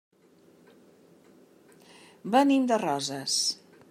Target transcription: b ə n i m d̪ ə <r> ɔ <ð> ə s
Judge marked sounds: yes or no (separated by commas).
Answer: yes, no